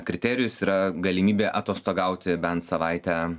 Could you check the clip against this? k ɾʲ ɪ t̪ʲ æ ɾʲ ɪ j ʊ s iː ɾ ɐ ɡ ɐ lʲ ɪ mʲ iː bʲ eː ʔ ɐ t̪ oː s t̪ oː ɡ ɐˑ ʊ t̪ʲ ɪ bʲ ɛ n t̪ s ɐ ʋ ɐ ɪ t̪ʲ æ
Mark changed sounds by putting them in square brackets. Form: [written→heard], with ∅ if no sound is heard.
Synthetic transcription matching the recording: k ɾʲ ɪ t̪ʲ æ ɾʲ ɪ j ʊ s iː ɾ ɐ ɡ ɐ lʲ ɪ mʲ iː bʲ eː ʔ ɐ t̪ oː s t̪ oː ɡ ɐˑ ʊ t̪ʲ ɪ bʲ ɛ n t̪ s ɐ ʋ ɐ ɪ t̪ʲ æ